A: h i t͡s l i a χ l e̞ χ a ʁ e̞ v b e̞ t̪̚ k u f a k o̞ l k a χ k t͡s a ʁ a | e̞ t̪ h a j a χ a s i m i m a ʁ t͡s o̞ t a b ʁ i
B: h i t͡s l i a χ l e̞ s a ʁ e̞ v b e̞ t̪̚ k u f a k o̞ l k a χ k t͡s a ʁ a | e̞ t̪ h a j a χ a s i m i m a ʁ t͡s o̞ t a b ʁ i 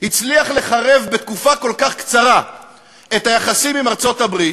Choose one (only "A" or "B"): A